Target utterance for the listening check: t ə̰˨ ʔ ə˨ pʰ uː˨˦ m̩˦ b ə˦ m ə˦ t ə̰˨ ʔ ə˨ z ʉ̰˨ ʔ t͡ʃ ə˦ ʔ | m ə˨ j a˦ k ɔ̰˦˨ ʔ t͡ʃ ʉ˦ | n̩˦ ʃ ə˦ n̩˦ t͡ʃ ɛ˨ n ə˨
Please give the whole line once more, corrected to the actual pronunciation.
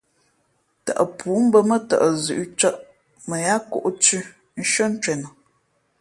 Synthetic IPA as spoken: t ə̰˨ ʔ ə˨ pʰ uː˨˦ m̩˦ b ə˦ m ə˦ t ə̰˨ ʔ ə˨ z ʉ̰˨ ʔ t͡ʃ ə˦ ʔ | m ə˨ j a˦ k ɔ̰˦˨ ʔ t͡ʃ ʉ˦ | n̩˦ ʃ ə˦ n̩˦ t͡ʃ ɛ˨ n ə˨